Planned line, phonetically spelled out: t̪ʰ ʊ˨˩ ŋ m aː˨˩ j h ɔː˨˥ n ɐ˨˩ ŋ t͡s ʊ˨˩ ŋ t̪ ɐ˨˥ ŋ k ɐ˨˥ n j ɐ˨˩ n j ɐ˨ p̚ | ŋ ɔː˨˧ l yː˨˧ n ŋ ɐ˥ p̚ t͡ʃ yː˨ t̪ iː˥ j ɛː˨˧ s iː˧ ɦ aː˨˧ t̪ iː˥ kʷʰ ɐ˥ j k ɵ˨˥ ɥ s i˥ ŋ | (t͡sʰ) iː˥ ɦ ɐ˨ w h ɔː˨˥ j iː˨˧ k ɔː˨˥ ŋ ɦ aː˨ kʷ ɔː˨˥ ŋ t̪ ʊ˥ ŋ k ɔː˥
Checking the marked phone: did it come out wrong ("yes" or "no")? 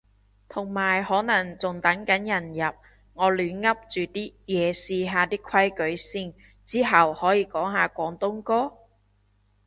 yes